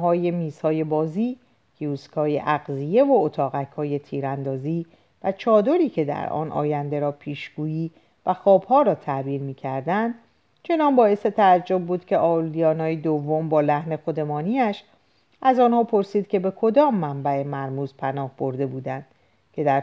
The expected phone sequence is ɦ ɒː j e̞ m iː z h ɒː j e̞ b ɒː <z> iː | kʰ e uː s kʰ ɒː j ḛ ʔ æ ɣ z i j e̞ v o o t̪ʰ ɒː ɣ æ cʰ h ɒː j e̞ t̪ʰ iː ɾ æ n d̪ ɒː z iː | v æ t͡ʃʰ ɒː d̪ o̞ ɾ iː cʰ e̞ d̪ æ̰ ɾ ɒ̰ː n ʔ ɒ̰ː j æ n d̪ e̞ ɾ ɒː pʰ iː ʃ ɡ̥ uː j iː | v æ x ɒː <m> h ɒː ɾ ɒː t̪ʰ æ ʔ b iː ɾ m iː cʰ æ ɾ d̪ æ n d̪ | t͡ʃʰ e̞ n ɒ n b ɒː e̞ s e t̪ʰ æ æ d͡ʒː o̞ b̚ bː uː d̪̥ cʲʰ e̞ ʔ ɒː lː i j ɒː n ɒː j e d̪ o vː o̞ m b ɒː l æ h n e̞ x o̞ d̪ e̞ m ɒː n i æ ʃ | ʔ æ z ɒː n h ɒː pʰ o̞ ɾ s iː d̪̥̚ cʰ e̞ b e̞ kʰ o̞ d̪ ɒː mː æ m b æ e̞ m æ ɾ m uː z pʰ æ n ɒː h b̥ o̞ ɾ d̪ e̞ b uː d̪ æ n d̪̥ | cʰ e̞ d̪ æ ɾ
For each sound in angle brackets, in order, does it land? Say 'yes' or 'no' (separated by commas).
yes, no